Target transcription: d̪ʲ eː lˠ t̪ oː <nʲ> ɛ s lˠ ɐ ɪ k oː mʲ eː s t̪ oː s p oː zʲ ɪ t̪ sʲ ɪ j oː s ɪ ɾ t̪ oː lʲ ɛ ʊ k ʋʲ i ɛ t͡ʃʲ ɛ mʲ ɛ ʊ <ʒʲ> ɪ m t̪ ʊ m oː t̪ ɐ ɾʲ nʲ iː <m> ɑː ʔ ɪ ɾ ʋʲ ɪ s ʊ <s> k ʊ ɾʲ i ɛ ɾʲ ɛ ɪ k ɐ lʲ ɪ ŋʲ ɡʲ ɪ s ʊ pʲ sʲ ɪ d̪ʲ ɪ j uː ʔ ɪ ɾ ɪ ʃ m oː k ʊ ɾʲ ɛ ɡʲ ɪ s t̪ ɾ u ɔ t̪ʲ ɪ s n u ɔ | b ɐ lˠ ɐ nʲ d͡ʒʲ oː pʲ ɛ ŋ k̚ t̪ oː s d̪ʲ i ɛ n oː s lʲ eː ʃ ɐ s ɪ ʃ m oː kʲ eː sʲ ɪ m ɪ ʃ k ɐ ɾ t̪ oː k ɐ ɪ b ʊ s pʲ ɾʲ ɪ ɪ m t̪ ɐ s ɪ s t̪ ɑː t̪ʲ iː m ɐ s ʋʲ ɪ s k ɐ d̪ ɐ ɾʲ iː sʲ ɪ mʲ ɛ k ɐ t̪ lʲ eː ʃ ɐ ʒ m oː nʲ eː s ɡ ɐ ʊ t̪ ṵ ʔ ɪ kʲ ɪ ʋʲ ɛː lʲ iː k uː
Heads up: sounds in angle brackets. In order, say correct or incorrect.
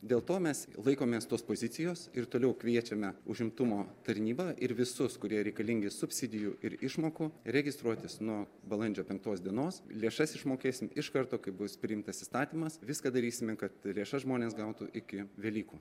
incorrect: mʲ, correct, incorrect: b, correct

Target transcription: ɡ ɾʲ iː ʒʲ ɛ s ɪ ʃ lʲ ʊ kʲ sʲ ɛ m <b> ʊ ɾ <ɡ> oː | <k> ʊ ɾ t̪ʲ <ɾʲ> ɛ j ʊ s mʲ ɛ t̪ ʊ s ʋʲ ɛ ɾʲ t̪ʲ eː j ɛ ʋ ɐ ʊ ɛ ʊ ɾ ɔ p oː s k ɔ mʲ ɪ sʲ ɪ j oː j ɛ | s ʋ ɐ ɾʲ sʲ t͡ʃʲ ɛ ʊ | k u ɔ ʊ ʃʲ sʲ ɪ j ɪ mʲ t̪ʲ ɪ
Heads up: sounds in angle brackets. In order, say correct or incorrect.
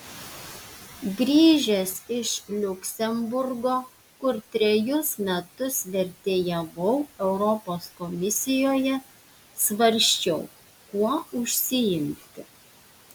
correct, correct, correct, correct

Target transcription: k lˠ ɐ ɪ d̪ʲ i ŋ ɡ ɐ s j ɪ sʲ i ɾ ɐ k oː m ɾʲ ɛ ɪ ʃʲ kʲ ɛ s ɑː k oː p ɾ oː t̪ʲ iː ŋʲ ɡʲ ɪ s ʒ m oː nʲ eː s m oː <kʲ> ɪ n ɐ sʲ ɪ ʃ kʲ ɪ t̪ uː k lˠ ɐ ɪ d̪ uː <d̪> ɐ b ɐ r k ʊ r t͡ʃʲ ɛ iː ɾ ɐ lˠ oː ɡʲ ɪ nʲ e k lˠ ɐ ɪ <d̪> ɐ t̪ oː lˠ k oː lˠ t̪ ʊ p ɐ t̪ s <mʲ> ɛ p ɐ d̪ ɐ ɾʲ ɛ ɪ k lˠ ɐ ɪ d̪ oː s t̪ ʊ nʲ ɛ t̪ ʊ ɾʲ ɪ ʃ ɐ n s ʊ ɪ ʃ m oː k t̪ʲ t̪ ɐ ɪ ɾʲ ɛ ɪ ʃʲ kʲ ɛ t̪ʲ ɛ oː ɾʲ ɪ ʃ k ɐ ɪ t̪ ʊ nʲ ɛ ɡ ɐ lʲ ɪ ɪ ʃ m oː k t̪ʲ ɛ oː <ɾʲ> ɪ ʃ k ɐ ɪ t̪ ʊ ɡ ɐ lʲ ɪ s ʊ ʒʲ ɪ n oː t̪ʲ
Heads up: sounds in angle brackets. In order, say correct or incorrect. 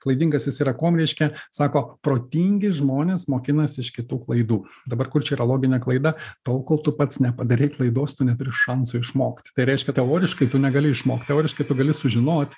correct, correct, correct, incorrect: nʲ, correct

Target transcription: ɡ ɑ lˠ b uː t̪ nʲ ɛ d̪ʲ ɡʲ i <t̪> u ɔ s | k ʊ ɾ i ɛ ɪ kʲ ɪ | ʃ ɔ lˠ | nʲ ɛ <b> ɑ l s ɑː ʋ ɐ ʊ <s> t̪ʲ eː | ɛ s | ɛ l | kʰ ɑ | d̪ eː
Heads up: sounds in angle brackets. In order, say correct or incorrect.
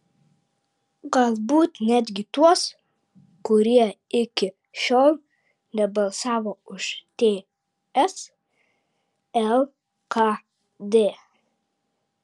correct, correct, incorrect: ʃ

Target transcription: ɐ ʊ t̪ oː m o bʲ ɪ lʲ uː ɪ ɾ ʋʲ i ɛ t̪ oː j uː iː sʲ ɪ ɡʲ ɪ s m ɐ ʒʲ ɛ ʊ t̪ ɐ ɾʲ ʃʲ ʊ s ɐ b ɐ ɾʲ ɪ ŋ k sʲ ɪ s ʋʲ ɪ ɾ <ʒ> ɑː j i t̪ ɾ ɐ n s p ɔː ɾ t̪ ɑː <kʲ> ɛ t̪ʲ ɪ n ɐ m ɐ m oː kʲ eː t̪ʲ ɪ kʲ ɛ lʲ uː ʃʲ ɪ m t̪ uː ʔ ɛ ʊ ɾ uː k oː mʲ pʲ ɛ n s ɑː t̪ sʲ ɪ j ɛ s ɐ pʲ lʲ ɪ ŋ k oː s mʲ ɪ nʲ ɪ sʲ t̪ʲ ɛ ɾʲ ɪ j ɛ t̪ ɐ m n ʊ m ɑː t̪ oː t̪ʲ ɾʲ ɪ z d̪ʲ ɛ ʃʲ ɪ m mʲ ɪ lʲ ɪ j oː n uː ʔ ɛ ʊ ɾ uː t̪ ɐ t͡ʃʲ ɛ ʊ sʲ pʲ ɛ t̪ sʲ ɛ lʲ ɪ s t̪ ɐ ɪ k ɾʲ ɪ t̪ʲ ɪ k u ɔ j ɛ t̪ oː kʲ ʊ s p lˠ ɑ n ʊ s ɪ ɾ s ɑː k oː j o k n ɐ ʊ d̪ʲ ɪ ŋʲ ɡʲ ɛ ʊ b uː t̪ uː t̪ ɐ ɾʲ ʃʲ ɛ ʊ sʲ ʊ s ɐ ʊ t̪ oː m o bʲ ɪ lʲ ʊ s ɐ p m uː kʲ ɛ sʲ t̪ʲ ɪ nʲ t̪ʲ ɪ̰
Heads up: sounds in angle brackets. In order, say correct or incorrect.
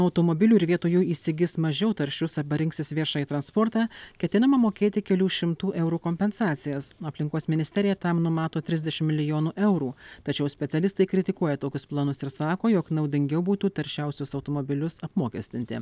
incorrect: ʃ, correct

